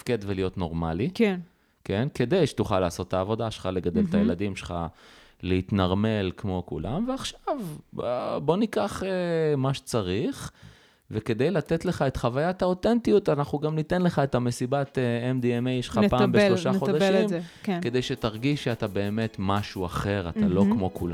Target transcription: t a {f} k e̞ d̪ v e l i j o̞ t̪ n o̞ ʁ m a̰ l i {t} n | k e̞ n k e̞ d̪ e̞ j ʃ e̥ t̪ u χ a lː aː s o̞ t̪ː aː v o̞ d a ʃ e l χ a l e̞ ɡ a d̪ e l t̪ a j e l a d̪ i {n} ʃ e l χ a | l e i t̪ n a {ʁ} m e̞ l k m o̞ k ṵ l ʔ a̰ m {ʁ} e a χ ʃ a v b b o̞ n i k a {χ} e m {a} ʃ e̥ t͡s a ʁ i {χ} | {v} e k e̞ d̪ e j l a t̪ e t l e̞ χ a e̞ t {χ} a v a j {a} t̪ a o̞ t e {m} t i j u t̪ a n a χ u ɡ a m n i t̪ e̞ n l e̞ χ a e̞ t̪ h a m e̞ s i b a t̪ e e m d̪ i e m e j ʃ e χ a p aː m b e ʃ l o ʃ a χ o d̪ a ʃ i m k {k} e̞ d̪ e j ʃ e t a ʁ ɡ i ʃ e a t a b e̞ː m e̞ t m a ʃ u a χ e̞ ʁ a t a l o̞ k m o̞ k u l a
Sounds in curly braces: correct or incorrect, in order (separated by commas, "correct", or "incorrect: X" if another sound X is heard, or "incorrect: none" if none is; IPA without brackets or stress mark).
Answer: correct, incorrect: k, incorrect: m, correct, incorrect: v, correct, correct, correct, correct, correct, correct, incorrect: n, correct